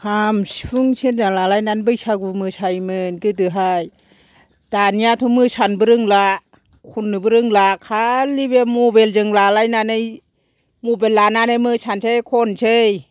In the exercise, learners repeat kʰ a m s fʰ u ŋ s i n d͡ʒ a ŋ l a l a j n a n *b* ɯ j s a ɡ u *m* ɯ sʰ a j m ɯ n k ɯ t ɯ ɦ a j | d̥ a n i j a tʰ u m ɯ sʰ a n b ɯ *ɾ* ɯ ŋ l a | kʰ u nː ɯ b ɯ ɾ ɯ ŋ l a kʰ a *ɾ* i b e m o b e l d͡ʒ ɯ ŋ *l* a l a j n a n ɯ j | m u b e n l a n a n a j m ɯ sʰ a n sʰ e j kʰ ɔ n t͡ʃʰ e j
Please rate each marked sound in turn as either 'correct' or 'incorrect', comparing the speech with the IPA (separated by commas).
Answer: correct, correct, correct, incorrect, correct